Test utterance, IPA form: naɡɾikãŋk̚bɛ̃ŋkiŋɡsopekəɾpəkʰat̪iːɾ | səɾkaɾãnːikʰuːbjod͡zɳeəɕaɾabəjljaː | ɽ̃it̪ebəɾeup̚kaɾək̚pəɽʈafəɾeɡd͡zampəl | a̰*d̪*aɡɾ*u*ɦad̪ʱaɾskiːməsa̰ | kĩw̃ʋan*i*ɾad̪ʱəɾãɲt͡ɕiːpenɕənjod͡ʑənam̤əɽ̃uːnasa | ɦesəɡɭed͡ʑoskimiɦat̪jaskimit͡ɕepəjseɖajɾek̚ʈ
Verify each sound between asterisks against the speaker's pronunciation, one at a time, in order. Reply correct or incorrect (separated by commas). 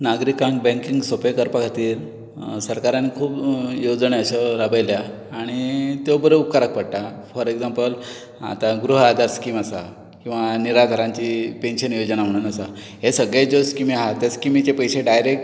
incorrect, correct, correct